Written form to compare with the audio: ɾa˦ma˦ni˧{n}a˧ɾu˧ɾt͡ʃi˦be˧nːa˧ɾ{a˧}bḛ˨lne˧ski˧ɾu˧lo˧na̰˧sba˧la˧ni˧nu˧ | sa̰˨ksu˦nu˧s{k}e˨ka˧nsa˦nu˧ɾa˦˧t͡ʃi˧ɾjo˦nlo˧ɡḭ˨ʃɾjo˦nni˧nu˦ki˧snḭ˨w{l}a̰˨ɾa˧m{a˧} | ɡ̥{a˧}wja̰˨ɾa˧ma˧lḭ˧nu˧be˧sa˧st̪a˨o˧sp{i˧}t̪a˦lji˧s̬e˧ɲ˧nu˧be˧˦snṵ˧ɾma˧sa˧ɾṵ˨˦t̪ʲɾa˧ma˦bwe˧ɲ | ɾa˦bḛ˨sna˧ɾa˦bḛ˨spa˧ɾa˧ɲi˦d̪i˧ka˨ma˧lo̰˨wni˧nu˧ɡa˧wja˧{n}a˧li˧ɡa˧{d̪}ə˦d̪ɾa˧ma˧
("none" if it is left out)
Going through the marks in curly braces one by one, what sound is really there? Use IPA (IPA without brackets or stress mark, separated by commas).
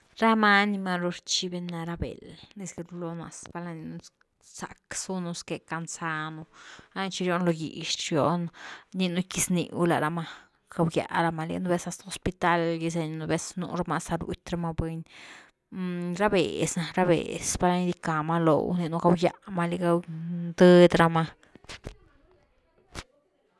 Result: m, a˧, k, l, a˧, a˧, i˧, m, d̪